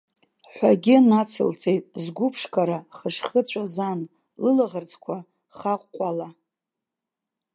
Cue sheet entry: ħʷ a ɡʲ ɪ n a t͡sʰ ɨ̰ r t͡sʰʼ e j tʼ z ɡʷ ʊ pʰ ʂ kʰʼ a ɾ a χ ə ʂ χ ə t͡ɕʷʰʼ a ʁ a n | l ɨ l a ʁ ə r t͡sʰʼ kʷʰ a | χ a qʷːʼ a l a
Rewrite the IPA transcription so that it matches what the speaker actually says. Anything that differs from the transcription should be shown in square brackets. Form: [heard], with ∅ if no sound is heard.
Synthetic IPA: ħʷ a ɡʲ ɪ n a t͡sʰ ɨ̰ [l] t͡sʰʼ e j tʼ z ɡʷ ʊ pʰ ʂ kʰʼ a ɾ a χ ə ʂ χ ə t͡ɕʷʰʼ a [z] a n | l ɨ l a ʁ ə r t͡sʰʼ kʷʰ a | χ a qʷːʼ a l a